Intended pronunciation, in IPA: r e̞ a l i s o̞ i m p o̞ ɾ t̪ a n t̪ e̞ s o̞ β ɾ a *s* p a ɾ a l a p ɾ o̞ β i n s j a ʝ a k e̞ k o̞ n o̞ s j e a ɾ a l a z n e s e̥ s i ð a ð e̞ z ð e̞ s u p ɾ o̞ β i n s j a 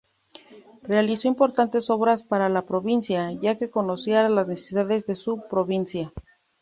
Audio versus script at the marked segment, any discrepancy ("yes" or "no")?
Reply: no